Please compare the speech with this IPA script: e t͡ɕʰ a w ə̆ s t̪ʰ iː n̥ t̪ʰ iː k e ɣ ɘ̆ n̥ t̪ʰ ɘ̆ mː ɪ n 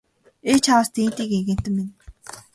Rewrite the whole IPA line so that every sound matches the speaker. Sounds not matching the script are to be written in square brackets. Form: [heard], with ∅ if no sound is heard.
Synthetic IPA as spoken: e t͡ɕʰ a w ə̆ s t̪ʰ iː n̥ [t̪] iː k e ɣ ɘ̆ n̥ [t̪] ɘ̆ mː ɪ n